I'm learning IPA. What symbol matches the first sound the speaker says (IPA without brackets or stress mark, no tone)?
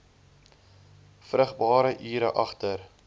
f